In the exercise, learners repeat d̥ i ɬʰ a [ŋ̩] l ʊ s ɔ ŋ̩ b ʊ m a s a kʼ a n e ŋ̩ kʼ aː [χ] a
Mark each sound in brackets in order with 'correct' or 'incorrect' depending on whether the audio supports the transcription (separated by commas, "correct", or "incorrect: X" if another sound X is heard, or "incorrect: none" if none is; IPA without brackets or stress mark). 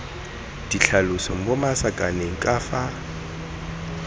incorrect: none, incorrect: f